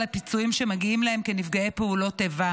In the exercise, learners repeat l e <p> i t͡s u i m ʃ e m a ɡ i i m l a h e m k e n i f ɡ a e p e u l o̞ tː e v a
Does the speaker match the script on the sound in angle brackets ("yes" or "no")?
yes